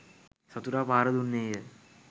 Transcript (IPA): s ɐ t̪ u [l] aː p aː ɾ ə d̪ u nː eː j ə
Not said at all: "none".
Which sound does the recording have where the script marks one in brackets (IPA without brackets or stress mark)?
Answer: ɾ